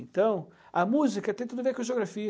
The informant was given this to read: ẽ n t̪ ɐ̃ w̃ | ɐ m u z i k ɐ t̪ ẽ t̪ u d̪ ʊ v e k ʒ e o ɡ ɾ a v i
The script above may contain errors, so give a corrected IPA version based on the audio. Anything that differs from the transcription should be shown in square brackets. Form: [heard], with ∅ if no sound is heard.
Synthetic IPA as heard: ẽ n t̪ ɐ̃ w̃ | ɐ m u z i k ɐ t̪ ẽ t̪ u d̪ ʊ v e k ʒ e o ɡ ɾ a [f] i